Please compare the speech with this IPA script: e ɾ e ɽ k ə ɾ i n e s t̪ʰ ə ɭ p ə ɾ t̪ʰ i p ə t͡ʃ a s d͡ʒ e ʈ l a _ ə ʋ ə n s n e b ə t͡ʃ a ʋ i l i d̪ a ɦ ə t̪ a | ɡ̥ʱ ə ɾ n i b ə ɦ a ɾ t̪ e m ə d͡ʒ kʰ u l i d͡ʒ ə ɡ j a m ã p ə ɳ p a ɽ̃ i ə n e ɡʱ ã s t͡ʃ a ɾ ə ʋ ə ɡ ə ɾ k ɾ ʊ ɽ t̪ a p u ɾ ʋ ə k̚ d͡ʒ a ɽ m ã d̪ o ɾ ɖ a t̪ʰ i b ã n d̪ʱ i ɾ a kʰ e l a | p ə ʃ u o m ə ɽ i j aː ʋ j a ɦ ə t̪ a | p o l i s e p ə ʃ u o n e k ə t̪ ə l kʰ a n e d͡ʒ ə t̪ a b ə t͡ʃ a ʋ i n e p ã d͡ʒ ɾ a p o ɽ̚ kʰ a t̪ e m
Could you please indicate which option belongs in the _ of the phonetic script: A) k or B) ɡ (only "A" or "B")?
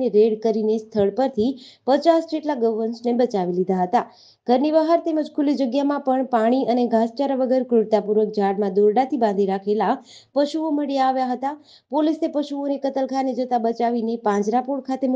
B